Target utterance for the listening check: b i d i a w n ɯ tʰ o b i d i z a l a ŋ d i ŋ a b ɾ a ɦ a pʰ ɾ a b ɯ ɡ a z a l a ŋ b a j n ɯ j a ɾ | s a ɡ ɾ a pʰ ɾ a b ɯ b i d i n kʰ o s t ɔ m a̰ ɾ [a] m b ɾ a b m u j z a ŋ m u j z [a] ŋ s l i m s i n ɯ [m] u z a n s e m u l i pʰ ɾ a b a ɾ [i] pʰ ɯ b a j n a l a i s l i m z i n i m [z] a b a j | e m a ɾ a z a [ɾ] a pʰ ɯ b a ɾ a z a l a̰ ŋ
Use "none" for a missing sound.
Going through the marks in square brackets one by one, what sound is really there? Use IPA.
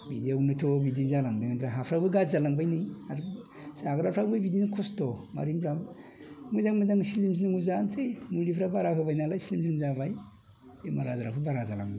i, a, ŋ, a, z, ɾ

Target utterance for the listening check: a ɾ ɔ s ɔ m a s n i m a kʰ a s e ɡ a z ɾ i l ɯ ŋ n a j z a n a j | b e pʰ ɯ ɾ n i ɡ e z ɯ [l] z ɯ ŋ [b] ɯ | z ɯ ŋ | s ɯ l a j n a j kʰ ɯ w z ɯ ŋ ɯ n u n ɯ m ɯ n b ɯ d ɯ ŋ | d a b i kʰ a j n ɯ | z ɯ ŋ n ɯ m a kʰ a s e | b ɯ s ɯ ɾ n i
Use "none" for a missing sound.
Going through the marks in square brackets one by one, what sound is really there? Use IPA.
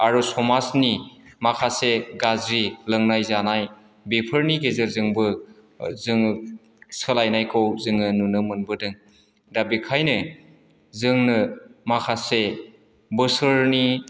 ɾ, b

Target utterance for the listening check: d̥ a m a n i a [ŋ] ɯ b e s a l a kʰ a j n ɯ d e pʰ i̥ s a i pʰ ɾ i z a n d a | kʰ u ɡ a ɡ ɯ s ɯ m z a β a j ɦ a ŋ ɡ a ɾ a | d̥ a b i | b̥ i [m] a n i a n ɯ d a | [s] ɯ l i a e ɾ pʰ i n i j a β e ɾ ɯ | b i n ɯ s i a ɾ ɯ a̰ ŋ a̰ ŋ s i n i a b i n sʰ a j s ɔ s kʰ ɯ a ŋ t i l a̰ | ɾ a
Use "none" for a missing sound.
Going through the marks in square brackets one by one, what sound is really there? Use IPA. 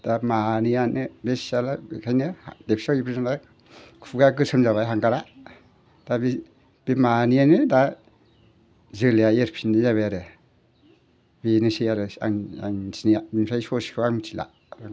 n, m, z

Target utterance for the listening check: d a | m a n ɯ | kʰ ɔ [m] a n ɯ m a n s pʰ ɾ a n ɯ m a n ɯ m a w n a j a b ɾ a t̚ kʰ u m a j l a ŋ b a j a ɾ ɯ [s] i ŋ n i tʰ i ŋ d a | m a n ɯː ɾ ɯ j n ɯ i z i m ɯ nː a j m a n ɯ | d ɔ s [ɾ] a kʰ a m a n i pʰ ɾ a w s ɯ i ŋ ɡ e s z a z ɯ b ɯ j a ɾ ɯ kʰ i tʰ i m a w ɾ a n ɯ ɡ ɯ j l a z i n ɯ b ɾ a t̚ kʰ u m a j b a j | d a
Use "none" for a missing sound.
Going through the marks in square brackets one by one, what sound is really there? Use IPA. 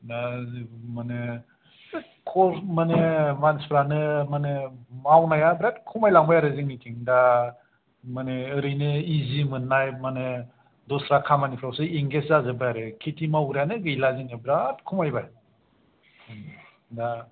m, z, ɾ

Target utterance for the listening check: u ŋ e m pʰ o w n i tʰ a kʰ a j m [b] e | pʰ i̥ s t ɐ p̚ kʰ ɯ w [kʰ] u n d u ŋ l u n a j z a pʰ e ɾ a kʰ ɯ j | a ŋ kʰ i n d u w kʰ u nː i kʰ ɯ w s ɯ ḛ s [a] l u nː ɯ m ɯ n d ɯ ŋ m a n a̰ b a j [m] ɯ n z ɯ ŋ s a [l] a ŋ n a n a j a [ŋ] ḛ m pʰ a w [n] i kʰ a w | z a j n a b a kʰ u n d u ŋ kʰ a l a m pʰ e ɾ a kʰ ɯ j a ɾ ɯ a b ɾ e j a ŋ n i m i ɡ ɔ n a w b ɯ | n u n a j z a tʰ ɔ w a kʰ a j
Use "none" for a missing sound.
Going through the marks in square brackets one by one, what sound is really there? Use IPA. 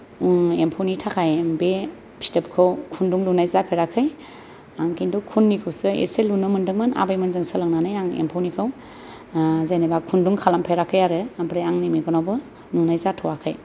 b, kʰ, e, m, l, ŋ, n

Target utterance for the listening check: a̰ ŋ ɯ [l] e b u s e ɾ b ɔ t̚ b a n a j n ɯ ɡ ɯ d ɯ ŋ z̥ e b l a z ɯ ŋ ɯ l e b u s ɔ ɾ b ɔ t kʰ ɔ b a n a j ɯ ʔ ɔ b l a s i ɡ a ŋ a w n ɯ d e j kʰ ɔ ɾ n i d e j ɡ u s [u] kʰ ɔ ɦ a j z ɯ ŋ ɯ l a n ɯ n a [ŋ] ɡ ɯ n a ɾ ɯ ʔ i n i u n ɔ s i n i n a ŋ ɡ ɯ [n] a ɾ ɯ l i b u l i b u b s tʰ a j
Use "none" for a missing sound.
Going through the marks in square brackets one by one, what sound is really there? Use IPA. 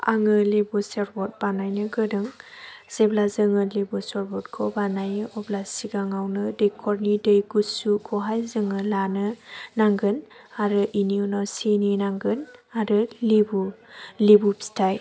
l, u, ŋ, n

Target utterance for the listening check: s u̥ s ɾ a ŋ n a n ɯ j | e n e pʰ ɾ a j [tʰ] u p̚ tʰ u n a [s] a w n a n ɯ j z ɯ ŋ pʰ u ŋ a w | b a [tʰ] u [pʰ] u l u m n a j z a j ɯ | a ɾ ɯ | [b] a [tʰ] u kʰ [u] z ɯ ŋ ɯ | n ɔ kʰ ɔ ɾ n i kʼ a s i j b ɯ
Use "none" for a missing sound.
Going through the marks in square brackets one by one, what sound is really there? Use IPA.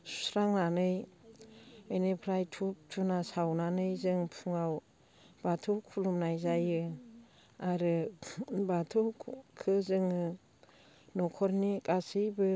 tʰ, s, tʰ, kʰ, b, tʰ, ɯ

